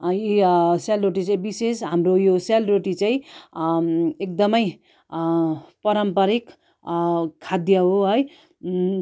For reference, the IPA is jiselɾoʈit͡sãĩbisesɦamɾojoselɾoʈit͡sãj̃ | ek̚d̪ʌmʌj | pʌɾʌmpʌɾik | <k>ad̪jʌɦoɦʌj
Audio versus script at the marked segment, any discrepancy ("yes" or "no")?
yes